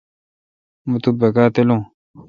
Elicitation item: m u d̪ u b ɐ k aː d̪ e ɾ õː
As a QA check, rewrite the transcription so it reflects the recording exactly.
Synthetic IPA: m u t̪ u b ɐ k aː t̪ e l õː